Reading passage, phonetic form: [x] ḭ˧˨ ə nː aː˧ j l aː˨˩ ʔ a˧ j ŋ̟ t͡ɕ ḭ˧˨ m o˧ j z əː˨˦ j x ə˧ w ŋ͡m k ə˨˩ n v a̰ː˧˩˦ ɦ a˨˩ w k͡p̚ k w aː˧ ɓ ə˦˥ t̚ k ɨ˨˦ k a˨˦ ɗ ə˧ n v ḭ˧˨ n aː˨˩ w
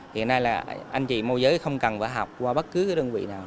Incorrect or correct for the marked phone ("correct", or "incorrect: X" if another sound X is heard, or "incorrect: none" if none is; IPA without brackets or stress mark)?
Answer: incorrect: h